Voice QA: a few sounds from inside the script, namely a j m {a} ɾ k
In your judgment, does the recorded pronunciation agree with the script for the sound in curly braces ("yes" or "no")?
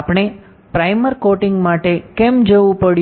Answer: no